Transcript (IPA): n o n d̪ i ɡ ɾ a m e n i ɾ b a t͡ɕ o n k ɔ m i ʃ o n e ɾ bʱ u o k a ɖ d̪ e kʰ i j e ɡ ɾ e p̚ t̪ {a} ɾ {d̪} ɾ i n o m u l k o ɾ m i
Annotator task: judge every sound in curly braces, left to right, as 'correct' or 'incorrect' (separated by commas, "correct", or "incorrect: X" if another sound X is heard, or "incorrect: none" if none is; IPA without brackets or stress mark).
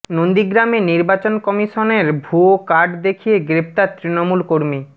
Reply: correct, incorrect: t̪